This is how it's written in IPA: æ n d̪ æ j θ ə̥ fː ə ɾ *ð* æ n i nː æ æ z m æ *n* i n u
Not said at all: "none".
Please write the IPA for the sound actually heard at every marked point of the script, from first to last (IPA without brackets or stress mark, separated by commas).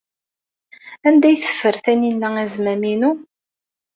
θ, m